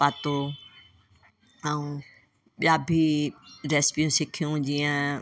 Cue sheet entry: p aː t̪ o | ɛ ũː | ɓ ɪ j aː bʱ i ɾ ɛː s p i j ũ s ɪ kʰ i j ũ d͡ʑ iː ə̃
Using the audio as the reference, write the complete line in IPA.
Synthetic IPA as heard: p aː t̪ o | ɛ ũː | ɓ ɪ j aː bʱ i ɾ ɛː s p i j ũ s ɪ kʰ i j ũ d͡ʑ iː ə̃